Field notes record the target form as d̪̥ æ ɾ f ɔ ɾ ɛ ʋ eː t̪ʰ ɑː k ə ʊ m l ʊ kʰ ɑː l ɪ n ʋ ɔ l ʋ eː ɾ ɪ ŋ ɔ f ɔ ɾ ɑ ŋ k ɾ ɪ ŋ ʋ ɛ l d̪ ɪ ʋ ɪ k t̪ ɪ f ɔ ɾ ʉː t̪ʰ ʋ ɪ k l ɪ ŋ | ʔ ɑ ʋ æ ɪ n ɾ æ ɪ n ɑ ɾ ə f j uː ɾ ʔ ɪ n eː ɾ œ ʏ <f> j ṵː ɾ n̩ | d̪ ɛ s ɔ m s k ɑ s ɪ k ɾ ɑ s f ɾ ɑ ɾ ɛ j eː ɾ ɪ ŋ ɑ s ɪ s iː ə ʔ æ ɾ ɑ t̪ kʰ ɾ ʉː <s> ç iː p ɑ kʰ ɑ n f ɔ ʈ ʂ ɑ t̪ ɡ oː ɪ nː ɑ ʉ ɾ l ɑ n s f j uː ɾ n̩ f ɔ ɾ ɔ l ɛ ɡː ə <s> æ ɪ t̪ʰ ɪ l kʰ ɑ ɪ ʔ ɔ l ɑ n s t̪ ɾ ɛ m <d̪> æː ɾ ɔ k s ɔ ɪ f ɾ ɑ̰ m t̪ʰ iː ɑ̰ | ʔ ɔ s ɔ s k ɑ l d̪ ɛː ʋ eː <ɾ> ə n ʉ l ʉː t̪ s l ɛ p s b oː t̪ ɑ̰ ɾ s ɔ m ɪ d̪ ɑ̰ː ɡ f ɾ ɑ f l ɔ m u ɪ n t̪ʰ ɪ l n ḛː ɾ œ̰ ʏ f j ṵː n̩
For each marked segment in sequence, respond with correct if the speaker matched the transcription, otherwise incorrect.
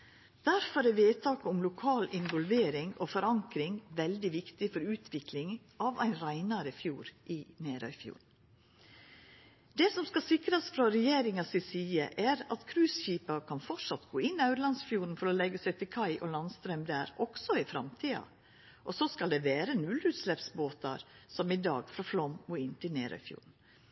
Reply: correct, correct, correct, correct, correct

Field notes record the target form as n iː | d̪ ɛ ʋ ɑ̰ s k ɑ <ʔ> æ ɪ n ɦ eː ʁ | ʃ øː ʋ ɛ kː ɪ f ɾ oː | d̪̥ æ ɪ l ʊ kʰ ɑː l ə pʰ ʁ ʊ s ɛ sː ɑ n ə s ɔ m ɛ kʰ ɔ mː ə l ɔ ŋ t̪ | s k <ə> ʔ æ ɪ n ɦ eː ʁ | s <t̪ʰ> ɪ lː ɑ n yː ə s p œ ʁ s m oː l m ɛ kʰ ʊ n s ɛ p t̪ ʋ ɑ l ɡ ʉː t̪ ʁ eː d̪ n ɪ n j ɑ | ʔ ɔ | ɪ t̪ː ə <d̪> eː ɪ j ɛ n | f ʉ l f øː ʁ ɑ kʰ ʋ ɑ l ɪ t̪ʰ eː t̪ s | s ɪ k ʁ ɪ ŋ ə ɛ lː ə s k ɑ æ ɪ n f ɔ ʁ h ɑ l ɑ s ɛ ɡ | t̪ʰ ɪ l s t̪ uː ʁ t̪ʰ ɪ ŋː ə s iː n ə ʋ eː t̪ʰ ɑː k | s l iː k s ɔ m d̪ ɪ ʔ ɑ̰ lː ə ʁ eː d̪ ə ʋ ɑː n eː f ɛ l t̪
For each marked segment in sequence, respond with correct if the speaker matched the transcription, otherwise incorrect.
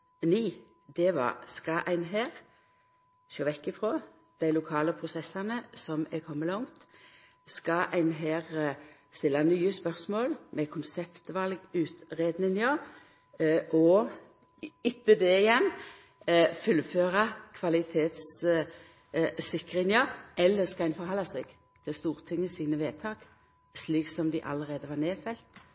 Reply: correct, incorrect, incorrect, correct

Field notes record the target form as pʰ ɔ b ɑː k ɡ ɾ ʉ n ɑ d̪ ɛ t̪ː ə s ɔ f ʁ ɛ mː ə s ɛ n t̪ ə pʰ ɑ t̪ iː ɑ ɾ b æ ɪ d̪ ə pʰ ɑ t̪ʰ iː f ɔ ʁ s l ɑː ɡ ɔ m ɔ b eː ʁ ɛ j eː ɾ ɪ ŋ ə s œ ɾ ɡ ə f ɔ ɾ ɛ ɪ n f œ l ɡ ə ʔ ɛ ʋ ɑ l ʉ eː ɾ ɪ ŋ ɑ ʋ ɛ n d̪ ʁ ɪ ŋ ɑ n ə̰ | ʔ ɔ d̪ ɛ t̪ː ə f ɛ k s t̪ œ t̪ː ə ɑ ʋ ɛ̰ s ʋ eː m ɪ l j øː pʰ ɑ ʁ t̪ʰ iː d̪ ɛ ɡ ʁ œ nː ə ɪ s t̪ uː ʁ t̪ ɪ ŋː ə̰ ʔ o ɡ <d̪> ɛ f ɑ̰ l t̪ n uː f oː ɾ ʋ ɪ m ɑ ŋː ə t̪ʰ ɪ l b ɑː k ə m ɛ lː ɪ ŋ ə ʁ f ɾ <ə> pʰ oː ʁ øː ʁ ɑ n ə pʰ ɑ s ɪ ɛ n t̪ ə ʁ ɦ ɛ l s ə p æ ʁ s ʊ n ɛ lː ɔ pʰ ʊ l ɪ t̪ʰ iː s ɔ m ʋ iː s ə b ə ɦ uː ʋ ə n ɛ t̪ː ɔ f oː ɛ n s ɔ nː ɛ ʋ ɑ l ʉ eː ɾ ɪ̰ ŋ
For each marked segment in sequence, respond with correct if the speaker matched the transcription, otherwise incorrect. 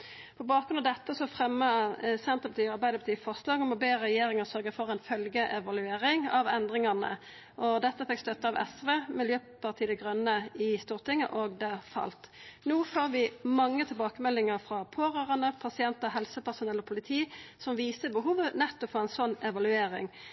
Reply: correct, incorrect

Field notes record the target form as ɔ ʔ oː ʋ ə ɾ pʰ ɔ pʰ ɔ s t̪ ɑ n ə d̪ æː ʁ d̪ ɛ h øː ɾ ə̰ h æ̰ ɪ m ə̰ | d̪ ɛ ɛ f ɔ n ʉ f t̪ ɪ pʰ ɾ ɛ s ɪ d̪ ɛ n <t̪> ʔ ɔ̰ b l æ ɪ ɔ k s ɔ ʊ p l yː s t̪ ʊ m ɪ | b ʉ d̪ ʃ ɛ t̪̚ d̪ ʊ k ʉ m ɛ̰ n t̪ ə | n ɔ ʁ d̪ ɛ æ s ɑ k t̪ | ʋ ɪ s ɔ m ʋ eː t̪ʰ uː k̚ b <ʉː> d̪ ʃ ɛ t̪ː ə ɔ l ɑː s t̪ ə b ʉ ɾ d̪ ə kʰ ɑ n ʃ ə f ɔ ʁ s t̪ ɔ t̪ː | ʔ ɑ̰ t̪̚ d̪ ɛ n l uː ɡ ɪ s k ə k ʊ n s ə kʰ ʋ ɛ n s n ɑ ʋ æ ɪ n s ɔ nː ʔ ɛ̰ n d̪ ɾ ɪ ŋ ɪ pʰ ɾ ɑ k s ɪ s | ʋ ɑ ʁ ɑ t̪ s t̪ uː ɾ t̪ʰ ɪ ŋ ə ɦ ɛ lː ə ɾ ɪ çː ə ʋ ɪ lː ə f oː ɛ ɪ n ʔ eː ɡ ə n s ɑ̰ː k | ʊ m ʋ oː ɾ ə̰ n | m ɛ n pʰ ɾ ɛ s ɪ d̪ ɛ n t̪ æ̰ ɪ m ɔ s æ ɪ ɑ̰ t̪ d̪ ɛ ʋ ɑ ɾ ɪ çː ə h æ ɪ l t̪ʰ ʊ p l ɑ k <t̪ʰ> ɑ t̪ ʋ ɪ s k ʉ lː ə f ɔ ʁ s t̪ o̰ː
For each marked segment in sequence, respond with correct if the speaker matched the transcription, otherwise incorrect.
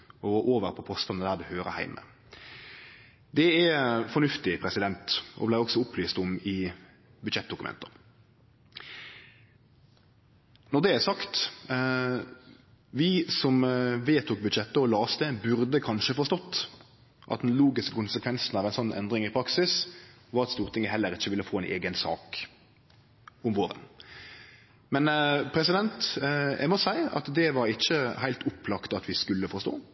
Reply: correct, incorrect, incorrect

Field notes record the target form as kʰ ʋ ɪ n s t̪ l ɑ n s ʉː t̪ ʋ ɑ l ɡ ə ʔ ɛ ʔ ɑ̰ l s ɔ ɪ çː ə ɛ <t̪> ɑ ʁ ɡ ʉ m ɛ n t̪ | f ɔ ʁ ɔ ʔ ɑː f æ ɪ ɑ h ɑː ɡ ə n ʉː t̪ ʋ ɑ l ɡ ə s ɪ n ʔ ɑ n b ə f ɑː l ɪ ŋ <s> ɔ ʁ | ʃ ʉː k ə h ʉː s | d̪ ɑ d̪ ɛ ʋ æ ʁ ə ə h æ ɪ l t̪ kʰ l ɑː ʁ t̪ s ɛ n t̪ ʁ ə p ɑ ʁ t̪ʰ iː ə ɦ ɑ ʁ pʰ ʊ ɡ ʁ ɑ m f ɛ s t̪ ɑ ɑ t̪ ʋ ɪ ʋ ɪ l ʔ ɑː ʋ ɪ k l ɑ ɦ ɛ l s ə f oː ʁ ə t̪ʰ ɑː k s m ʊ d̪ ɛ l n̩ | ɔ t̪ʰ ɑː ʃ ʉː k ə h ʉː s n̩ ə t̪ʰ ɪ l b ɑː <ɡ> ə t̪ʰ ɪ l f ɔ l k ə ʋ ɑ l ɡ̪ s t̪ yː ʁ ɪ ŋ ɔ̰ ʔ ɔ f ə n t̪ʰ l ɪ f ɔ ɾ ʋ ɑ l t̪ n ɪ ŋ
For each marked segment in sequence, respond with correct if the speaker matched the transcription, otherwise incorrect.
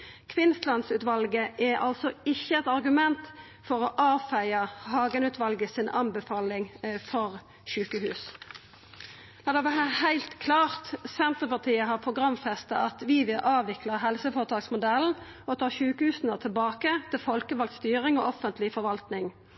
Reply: correct, incorrect, incorrect

